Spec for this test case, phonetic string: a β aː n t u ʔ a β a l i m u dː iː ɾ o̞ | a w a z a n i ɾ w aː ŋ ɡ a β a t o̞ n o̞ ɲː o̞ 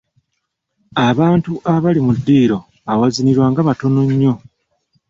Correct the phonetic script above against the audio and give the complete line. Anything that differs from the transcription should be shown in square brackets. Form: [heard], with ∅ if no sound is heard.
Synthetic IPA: a β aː n t u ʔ a β a l i m u dː iː ɾ o̞ | a w a z [i] n i ɾ w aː ŋ ɡ a β a t o̞ n o̞ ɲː o̞